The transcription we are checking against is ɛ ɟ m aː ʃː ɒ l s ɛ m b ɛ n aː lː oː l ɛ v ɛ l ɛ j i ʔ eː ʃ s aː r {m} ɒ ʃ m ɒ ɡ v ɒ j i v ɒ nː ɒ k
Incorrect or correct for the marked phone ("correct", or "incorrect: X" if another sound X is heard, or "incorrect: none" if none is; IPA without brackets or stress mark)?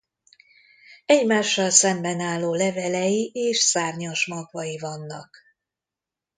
incorrect: ɲ